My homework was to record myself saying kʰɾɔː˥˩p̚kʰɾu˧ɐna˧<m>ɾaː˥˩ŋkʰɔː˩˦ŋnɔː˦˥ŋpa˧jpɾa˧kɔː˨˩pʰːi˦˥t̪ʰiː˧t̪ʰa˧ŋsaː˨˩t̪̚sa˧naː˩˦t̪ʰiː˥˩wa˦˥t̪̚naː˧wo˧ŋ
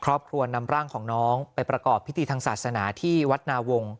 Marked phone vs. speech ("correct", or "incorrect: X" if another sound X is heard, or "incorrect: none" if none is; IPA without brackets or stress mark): correct